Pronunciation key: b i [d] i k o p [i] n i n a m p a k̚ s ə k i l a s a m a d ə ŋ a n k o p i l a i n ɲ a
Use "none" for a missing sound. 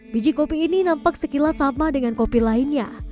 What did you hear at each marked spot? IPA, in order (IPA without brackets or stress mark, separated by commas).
d͡ʒ, iː